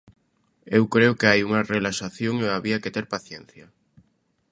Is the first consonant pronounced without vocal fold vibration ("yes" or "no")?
no